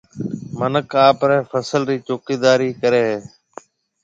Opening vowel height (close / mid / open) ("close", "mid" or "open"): mid